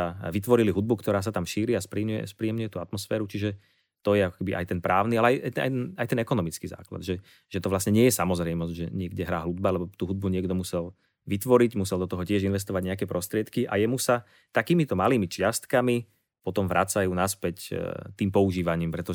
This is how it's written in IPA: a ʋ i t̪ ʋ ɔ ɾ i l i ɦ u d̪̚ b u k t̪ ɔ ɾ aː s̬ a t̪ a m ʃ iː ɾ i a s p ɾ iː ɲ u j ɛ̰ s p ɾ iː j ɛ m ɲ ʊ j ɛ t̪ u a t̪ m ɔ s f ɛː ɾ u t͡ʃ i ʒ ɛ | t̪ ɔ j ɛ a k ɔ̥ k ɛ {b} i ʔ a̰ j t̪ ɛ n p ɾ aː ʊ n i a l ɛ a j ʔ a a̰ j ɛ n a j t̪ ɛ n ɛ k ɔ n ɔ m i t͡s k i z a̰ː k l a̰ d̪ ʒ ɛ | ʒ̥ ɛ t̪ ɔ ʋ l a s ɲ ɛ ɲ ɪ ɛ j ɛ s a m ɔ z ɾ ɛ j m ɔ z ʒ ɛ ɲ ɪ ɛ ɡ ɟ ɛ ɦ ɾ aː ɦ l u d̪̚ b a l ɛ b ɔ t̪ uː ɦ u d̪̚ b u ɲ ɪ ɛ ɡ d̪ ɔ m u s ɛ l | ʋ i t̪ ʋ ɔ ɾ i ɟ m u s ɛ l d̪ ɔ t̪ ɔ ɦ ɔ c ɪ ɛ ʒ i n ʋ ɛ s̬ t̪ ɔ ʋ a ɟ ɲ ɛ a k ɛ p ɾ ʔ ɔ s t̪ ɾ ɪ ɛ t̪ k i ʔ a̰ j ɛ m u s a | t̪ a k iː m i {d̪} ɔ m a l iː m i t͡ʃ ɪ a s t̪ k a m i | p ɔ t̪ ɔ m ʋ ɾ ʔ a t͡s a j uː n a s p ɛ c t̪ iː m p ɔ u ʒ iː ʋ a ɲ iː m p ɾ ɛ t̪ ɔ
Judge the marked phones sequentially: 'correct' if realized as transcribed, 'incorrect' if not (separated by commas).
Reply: correct, incorrect